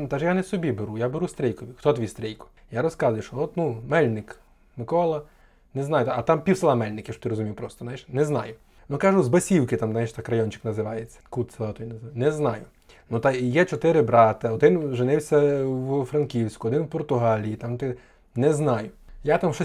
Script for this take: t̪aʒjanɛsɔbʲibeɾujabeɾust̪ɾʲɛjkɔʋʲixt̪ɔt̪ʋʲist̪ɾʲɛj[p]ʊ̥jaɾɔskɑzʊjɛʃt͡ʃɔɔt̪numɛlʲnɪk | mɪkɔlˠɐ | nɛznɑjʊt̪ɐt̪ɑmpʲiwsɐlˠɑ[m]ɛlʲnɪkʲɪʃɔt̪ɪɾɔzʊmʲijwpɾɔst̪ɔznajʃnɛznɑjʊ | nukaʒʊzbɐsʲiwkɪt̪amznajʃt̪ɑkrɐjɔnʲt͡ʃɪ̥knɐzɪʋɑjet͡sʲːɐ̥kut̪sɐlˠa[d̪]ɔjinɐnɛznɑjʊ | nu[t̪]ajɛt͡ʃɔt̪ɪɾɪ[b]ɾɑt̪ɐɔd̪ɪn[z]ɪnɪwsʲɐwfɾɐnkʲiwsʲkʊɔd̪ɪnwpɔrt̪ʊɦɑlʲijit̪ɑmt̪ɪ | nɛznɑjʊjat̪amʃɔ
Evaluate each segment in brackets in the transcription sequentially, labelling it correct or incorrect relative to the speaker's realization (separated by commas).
incorrect, correct, incorrect, correct, correct, incorrect